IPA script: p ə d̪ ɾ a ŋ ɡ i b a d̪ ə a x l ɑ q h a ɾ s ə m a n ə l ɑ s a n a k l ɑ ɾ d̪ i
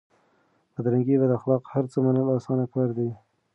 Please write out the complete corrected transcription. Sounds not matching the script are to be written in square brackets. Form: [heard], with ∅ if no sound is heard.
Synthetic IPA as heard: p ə d̪ ɾ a ŋ ɡ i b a d̪ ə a x l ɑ q h a ɾ [t͡s] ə m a n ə l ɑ s [ɑ] n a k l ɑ ɾ d̪ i